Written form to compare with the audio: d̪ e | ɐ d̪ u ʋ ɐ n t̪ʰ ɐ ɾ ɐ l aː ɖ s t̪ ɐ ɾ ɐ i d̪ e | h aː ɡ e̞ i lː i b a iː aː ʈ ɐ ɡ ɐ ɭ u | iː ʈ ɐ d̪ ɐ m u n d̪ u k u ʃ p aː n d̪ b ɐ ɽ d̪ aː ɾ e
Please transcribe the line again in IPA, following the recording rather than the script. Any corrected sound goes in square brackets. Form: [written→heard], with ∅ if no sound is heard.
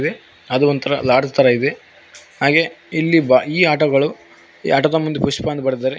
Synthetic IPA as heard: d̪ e | ɐ d̪ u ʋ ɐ n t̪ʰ ɐ ɾ ɐ l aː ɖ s t̪ ɐ ɾ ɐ i d̪ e | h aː ɡ e̞ i lː i b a iː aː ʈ ɐ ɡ ɐ ɭ u | [iː→aː] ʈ ɐ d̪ ɐ m u n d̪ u [k→p] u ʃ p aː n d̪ b ɐ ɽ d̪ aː ɾ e